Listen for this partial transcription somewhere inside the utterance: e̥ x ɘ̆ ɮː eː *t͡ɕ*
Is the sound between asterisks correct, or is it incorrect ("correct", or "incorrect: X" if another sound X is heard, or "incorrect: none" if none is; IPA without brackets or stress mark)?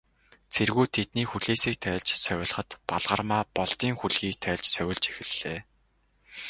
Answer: incorrect: none